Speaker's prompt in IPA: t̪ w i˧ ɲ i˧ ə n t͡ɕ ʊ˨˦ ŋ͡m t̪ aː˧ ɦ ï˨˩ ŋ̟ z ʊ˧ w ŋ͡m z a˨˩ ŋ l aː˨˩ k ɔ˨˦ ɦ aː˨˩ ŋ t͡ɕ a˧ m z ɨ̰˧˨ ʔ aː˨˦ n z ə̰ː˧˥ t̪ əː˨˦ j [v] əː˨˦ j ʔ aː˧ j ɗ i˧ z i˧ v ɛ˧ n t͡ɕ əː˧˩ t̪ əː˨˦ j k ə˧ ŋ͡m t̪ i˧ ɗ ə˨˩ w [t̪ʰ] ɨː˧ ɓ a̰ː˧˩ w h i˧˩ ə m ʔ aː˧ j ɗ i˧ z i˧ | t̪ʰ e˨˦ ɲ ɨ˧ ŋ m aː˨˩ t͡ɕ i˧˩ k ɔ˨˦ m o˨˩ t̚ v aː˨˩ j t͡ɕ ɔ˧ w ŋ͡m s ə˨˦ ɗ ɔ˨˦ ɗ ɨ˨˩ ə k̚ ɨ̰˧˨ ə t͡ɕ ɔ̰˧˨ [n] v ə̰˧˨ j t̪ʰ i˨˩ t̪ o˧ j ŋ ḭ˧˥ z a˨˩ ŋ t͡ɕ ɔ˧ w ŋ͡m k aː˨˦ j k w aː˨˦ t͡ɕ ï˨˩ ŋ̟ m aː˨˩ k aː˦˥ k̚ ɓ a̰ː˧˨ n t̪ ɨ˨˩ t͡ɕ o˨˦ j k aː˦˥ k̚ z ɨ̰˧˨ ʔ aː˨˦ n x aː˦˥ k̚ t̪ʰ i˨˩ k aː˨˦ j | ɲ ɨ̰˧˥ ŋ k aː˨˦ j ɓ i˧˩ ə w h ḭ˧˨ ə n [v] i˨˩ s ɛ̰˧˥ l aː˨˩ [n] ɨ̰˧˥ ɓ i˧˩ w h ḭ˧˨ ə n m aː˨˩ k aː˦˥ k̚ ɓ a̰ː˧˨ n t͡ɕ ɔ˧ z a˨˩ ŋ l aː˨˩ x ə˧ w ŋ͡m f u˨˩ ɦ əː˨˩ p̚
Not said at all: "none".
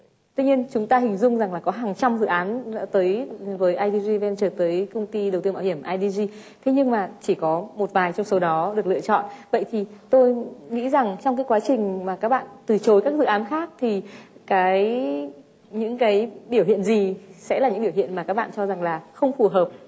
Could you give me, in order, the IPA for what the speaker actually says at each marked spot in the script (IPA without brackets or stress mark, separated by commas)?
v, t̪, n, z, ɲ